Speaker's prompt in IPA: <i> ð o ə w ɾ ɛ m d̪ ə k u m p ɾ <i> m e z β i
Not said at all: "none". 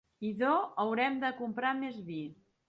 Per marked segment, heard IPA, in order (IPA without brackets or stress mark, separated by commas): i, a